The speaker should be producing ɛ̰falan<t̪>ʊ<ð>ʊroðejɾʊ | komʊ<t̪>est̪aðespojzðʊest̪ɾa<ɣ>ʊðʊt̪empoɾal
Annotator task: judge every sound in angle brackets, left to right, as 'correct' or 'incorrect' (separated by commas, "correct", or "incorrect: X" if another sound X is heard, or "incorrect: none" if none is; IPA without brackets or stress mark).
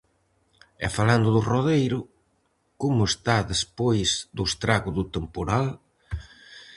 incorrect: d̪, correct, incorrect: none, correct